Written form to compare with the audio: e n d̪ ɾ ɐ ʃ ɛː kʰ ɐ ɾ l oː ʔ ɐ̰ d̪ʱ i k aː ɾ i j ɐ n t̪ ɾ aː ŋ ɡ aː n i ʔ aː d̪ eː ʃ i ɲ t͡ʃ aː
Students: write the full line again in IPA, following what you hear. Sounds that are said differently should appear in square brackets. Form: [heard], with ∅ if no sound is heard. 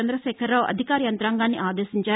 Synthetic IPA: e n d̪ ɾ ɐ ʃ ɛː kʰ ɐ ɾ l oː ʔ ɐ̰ d̪ʱ i k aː ɾ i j ɐ n t̪ ɾ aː ŋ ɡ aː [nː] i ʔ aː d̪ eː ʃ i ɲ t͡ʃ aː